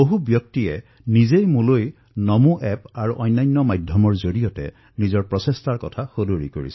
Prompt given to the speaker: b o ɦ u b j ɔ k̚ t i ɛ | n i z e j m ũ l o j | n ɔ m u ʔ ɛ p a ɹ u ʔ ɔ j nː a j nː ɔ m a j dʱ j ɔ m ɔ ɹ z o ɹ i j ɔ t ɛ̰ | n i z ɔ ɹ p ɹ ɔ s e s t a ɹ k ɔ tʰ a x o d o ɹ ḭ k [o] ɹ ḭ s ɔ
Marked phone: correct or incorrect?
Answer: correct